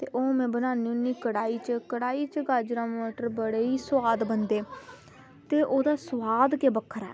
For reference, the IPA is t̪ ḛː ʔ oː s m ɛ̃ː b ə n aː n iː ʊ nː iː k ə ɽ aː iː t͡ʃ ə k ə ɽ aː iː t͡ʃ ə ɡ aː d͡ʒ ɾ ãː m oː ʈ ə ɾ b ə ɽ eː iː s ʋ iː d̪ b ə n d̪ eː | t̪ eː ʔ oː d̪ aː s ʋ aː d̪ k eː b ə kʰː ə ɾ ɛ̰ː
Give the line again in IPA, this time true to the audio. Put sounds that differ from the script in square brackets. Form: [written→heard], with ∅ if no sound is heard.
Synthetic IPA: t̪ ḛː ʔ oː [s→∅] m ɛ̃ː b ə n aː n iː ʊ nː iː k ə ɽ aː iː t͡ʃ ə k ə ɽ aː iː t͡ʃ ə ɡ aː d͡ʒ ɾ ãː m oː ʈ ə ɾ b ə ɽ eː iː s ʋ [iː→aː] d̪ b ə n d̪ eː | t̪ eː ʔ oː d̪ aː s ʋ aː d̪ k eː b ə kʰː ə ɾ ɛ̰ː